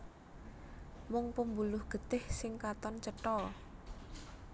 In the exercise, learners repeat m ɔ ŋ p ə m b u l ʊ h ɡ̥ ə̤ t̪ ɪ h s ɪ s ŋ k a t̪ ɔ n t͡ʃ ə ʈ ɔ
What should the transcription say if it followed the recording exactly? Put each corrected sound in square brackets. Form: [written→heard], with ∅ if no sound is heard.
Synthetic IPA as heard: m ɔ ŋ p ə m b u l ʊ h ɡ̥ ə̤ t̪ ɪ h s ɪ [s→∅] ŋ k a t̪ ɔ n t͡ʃ ə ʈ ɔ